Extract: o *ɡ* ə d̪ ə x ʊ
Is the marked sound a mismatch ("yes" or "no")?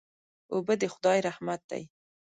yes